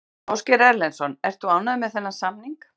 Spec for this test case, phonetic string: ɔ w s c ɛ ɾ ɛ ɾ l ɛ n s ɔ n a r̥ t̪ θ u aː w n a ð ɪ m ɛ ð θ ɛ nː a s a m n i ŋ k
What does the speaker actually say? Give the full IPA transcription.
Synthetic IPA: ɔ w s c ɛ ɾ ɛ ɾ l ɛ n s ɔ n ɛ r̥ t̪ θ u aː w n a ð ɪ m ɛ ð θ ɛ nː a s a m n i ŋ k